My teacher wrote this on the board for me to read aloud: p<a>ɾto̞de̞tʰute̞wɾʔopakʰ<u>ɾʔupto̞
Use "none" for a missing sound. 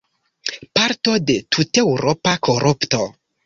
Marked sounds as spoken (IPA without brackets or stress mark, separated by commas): a, o